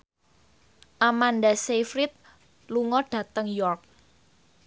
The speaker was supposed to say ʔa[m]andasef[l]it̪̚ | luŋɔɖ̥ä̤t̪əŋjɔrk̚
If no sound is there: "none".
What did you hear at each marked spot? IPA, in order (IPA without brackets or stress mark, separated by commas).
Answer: m, ɾ